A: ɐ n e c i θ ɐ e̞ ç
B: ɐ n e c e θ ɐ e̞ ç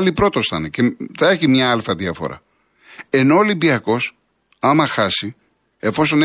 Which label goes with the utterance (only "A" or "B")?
B